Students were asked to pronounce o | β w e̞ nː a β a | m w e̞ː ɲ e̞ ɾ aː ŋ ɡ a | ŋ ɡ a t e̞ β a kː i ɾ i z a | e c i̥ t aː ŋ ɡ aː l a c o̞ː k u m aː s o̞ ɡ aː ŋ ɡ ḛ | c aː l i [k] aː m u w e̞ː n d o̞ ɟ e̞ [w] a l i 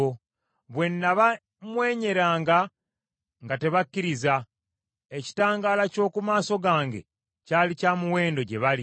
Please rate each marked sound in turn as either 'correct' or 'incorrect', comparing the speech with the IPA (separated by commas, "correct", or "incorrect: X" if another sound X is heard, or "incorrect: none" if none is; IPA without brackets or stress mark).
incorrect: c, incorrect: β